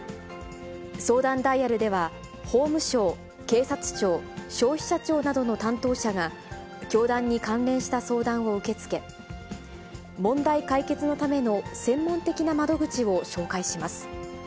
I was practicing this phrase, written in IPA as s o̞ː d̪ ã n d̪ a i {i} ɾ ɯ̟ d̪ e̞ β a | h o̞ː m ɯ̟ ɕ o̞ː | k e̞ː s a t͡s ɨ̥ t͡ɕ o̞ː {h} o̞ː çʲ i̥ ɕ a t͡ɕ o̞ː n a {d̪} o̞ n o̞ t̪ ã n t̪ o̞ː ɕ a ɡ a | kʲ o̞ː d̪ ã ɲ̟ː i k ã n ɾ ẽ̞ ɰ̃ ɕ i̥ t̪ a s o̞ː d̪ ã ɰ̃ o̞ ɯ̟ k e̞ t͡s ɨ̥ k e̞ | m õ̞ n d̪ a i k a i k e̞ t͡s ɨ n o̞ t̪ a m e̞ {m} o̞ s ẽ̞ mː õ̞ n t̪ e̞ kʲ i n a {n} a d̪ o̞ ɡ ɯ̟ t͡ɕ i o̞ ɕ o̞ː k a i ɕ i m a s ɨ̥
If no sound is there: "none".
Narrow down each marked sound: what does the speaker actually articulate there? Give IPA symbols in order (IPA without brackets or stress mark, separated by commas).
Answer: a, ɕ, d̪, n, m